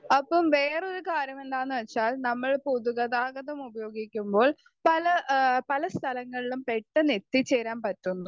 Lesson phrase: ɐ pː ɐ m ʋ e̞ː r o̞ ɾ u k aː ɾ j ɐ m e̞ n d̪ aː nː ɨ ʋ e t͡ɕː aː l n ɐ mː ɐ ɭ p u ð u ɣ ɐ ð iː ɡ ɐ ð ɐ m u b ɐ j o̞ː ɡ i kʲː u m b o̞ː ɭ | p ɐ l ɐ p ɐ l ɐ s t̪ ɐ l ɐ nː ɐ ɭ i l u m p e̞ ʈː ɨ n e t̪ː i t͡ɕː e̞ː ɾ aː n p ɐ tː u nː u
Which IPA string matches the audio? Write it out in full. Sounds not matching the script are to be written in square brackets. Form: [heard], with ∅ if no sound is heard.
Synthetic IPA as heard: ɐ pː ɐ m ʋ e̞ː r o̞ ɾ u k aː ɾ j ɐ m e̞ n d̪ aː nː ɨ ʋ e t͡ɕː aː l n ɐ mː ɐ ɭ p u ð u ɣ ɐ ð [aː] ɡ ɐ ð ɐ m u b ɐ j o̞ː ɡ i kʲː u m b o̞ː ɭ | p ɐ l ɐ p ɐ l ɐ s [t̪ʰ] ɐ l ɐ [ŋː] ɐ ɭ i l u m p e̞ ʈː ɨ n e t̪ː i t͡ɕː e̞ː ɾ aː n p ɐ tː u nː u